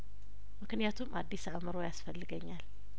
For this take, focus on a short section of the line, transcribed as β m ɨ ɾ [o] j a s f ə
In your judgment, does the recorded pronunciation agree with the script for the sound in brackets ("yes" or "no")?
yes